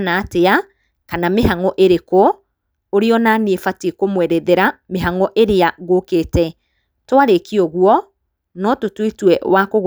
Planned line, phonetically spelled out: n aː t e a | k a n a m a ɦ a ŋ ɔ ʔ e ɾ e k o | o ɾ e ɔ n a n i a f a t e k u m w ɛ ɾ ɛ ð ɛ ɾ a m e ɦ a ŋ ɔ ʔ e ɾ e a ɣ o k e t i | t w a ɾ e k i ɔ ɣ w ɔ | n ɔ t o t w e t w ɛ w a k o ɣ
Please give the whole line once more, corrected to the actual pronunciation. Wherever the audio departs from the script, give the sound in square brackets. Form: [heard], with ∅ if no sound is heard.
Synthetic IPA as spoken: n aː t e a | k a n a m [e] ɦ a ŋ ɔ ʔ e ɾ e k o | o ɾ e ɔ n a n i [e] f a t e k [o] m w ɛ ɾ ɛ ð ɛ ɾ a m e ɦ a ŋ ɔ ʔ e ɾ e a ɣ o k e t [ɛ] | t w a ɾ e k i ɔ ɣ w ɔ | n ɔ t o t w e t w ɛ w a k o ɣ

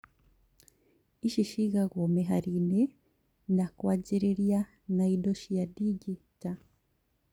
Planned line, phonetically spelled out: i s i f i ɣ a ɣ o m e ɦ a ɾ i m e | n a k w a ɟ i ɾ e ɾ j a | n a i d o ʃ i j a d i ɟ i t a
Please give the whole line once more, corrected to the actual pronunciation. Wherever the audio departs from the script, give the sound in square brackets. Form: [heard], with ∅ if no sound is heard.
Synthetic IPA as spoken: i [ʃ] i [ʃ] i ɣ a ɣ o m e ɦ a ɾ i [n] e | n a k w a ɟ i ɾ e ɾ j a | n a i d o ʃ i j a d i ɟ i t a

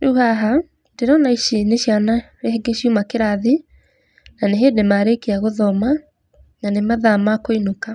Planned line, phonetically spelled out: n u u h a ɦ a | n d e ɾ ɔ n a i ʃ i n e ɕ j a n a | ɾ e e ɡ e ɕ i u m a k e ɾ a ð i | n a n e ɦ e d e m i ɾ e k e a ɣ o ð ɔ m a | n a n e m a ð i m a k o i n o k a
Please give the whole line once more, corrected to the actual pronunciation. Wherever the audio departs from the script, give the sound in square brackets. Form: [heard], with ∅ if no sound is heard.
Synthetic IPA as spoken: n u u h a ɦ a | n d e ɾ ɔ n a i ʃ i n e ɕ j a n a | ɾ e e ɡ e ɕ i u m a k e ɾ a ð i | n a n e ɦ e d e m [a] ɾ e k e a ɣ o ð ɔ m a | n a n e m a ð [a] m a k o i n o k a

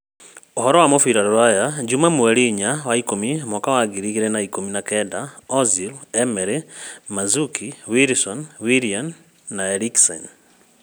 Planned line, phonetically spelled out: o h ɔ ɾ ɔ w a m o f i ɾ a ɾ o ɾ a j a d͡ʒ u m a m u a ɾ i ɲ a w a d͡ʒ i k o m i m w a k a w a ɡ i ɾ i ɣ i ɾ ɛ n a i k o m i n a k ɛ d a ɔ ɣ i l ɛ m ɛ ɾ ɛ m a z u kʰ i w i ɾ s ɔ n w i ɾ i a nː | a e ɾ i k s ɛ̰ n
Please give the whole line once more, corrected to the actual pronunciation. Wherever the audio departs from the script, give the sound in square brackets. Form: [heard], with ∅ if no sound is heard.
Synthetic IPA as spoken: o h ɔ ɾ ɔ w a m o f i ɾ a ɾ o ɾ a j a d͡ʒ u m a m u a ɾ i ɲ a w a [∅] i k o m i m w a k a w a ɡ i ɾ i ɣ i ɾ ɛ n a i k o m i n a k ɛ d a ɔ [z] i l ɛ m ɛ ɾ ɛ m a z u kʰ i w i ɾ s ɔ n w i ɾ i a nː | a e ɾ i k s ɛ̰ n

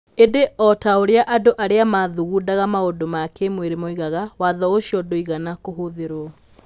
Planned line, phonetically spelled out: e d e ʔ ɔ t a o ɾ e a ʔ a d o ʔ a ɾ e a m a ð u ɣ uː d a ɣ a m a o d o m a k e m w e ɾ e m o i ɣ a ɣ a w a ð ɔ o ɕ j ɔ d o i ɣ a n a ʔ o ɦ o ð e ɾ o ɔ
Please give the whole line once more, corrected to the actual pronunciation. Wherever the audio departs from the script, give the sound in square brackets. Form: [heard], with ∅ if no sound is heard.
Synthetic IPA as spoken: e d e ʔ ɔ t a o ɾ e a ʔ a d o ʔ a ɾ e a m a ð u ɣ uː d a ɣ a m a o d o m a k e m w e ɾ e m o i ɣ a ɣ a w a ð ɔ o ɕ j ɔ d o i ɣ a n a [k] o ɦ o ð e ɾ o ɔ

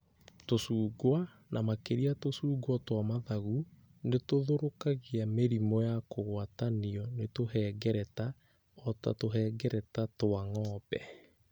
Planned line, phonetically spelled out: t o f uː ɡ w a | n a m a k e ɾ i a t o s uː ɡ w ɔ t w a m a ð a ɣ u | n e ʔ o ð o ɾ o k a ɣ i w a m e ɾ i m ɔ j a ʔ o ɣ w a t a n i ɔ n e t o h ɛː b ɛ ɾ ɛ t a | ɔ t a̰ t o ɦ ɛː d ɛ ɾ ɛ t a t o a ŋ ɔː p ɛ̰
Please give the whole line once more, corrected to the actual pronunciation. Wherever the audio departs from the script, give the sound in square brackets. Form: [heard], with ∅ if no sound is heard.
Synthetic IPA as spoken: t o [s] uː ɡ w a | n a m a k e ɾ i a t o s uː ɡ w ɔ t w a m a ð a ɣ u | n e [t] o ð o ɾ o k a ɣ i [∅] a m e ɾ i m ɔ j a [k] o ɣ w a t a n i ɔ n e t o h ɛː [ɡ] ɛ ɾ ɛ t a | ɔ t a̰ t o ɦ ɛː [ɡ] ɛ ɾ ɛ t a t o a ŋ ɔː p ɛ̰

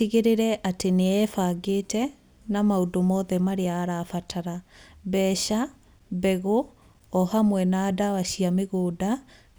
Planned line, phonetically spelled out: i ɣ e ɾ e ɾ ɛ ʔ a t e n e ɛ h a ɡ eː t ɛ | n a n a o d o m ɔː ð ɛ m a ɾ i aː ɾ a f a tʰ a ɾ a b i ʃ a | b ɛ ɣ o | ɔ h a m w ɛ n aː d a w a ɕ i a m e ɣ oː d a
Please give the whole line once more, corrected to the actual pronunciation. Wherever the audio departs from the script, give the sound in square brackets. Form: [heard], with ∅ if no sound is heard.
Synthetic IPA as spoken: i ɣ e ɾ e ɾ ɛ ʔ a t e n e ɛ [f] a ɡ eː t ɛ | n a [m] a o d o m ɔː ð ɛ m a ɾ [e] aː ɾ a f a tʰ a ɾ a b [ɛ] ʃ a | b ɛ ɣ o | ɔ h a m w ɛ n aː d a w a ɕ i a m e ɣ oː d a

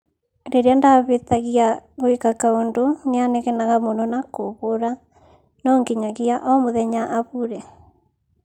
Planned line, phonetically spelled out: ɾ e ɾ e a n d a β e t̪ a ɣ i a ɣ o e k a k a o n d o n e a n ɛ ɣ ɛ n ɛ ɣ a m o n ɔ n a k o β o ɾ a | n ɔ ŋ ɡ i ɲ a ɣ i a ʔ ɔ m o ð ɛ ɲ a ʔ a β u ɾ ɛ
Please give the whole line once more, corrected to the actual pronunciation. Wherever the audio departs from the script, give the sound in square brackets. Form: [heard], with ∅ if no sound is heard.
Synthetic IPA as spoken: ɾ e ɾ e a n d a β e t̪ a ɣ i a ɣ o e k a k a o n d o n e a n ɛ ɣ ɛ n [a] ɣ a m o n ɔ n a k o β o ɾ a | n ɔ ŋ ɡ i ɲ a ɣ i a ʔ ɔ m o ð ɛ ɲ a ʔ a β u ɾ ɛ

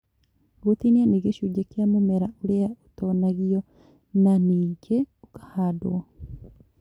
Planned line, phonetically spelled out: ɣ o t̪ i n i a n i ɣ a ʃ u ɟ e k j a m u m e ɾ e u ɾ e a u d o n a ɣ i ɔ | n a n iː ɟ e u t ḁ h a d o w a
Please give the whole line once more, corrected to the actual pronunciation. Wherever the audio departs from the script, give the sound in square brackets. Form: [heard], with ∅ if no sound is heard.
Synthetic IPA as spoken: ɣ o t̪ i n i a n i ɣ [e] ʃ u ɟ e k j a m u m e ɾ [a] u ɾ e a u [t] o n a ɣ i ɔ | n a n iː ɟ e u [k] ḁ h a d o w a

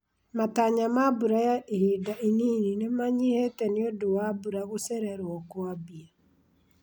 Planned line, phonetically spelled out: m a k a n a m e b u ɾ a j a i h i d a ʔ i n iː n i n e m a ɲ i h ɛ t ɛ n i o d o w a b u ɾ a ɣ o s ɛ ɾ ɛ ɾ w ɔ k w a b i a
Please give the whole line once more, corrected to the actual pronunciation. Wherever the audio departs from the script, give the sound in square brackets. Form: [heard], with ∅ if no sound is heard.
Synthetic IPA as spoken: m a [t] a [ɲ] a m [a] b u ɾ a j a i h i d a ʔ i n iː n i n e m a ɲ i h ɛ t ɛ n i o d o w a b u ɾ a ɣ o s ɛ ɾ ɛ ɾ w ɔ k w a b i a

